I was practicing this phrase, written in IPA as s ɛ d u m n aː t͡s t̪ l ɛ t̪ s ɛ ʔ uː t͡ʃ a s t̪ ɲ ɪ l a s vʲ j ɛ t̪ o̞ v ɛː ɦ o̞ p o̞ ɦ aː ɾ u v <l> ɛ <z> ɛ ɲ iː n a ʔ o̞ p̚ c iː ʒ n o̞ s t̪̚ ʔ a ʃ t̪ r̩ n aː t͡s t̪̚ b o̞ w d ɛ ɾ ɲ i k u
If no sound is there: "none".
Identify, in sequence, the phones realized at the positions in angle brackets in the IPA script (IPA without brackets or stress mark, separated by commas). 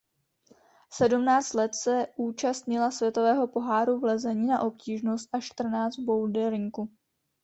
l, z